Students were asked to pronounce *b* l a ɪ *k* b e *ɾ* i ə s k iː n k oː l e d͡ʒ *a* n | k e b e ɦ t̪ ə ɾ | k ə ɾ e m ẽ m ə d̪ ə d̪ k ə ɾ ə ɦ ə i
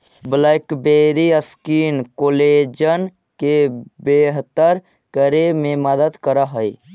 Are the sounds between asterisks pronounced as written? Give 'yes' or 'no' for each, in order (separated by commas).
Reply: yes, yes, yes, no